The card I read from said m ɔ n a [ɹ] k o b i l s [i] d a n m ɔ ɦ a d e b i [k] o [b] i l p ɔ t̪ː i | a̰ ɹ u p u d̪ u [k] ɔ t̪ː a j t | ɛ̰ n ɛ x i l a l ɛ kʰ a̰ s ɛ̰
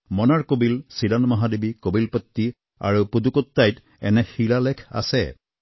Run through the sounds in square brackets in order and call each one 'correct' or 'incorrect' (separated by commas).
correct, correct, correct, correct, correct